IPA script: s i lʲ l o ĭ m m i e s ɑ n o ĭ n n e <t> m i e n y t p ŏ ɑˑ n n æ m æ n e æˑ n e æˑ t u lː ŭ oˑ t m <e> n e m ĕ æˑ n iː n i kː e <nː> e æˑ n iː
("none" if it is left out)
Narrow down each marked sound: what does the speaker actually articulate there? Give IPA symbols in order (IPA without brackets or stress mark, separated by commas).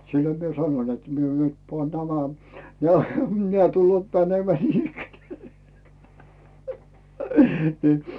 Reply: t, æ, n